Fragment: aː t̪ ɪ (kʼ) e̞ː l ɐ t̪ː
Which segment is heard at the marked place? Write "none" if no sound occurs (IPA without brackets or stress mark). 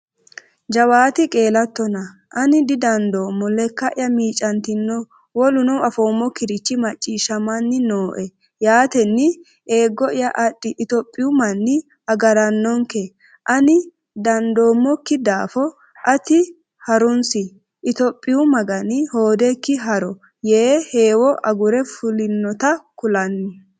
kʼ